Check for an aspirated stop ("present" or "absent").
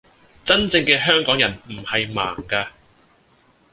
absent